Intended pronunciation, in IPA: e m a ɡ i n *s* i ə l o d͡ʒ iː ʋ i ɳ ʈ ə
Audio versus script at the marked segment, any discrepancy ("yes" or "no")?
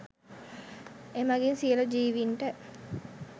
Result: no